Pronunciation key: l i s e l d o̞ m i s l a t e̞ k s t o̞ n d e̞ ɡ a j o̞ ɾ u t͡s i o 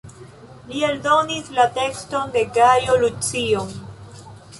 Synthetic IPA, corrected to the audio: l i e l d o̞ n i s l a t e̞ k s t o̞ n d e̞ ɡ a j o̞ l u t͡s i o